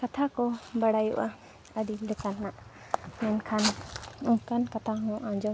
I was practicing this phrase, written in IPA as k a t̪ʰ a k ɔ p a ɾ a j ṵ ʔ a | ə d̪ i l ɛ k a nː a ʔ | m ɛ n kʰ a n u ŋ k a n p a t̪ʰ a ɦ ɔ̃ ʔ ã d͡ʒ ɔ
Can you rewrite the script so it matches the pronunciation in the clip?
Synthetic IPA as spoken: k a t̪ʰ a k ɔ b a ɽ a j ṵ ʔ a | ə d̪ i l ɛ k a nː a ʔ | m ɛ n kʰ a n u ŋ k a n k a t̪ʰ a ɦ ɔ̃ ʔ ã d͡ʒ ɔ